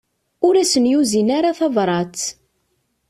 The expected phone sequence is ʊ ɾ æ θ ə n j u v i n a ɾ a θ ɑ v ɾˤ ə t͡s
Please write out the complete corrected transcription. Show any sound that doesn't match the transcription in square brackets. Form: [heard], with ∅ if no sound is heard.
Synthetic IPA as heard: ʊ ɾ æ [s] ə n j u [z] i n a ɾ a θ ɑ v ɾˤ [ɑ] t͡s